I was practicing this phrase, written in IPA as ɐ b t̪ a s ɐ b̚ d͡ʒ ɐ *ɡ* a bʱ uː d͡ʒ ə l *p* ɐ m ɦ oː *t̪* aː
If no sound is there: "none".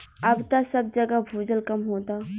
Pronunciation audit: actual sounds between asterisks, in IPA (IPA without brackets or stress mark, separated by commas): ɡ, k, t̪